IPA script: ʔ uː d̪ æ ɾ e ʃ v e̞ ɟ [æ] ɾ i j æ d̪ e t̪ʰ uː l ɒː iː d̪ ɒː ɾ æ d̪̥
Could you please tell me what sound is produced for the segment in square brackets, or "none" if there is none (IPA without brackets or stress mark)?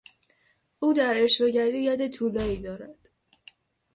æ